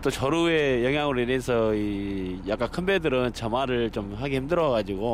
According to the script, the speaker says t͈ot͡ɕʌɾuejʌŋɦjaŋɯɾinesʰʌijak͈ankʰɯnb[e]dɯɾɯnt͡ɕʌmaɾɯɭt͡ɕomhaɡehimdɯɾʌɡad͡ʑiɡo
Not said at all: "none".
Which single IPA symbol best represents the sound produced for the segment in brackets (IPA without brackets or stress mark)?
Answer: e